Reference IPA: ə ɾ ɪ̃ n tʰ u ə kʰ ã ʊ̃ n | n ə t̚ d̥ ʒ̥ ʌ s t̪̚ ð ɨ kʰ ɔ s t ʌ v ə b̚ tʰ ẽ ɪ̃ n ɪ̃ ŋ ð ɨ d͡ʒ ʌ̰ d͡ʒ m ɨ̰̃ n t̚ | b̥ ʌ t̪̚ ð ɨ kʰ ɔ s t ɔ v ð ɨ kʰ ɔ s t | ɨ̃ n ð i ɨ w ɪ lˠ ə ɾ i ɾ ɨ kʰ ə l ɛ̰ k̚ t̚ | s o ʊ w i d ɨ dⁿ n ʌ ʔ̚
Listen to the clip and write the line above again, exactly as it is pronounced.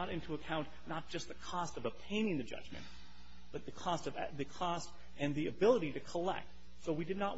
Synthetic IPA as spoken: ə ɾ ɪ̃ n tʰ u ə kʰ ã ʊ̃ n | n ə t̚ d̥ ʒ̥ ʌ s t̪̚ ð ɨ kʰ ɔ s t ʌ v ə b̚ tʰ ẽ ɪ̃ n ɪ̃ ŋ ð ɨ d͡ʒ ʌ̰ d͡ʒ m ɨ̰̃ n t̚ | b̥ ʌ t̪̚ ð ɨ kʰ ɔ s t ʌ v ð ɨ kʰ ɔ s t | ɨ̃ n ð i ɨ b ɪ lˠ ə ɾ i ɾ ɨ kʰ ə l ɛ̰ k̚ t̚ | s o ʊ w i d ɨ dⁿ n ə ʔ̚